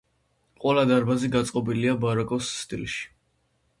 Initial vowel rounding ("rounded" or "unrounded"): unrounded